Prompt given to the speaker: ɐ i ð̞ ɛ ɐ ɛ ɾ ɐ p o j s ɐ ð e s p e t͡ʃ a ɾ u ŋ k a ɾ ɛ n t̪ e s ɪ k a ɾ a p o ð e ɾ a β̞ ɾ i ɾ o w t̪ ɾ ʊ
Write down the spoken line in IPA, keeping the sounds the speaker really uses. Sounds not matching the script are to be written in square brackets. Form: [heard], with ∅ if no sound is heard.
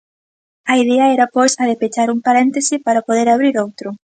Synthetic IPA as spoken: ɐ i ð̞ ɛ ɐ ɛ ɾ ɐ p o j s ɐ ð e [∅] p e t͡ʃ a ɾ u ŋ [p] a ɾ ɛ n t̪ e s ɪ [p] a ɾ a p o ð e ɾ a β̞ ɾ i ɾ o w t̪ ɾ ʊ